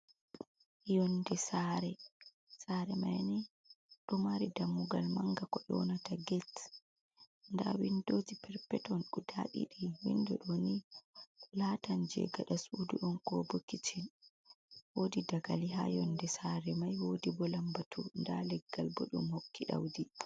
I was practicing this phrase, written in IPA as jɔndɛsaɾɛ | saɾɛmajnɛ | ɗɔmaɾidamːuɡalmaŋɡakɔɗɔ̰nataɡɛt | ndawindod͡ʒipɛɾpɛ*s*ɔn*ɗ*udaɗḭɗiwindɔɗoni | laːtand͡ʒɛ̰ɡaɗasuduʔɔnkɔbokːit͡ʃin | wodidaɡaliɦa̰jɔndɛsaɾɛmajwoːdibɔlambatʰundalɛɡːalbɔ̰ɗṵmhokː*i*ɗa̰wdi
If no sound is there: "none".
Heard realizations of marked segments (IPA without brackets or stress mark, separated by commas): t, ɗ, i